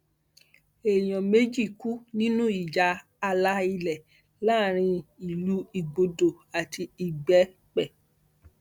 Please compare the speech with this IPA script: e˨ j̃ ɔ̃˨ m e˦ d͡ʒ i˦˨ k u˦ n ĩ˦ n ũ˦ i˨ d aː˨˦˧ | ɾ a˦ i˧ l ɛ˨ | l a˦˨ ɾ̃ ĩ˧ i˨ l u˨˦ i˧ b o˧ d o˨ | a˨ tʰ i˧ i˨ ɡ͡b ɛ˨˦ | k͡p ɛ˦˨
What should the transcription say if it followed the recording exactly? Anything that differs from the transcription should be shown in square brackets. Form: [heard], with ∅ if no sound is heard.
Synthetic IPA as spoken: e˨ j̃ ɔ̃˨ m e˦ d͡ʒ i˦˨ k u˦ n ĩ˦ n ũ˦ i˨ [d͡ʒ] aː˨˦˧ | [l] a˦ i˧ l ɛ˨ | l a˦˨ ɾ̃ ĩ˧ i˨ l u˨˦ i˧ [ɡ͡b] o˧ d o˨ | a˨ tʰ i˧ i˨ ɡ͡b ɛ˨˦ | k͡p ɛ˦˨